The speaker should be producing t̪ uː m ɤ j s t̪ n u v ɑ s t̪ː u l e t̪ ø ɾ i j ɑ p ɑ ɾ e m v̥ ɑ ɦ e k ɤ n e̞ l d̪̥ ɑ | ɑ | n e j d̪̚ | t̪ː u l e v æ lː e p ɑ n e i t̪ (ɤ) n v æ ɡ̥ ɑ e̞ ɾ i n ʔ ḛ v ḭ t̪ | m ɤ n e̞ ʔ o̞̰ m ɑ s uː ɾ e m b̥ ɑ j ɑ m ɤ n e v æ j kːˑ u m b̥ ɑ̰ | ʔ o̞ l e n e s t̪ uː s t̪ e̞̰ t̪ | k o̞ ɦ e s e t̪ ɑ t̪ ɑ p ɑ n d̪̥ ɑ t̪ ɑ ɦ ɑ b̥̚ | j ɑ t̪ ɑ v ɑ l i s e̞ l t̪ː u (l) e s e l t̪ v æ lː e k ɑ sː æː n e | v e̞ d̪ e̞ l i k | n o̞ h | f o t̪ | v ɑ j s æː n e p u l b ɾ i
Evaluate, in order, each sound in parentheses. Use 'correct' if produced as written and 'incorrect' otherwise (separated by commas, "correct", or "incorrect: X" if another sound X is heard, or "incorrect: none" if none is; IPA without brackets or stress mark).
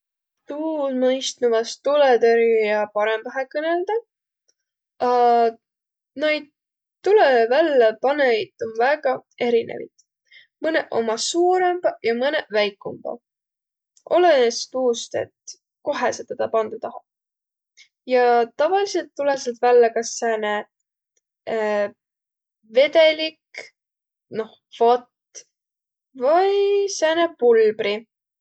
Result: incorrect: o, correct